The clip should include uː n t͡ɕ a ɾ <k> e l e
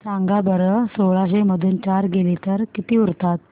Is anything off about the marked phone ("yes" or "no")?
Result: yes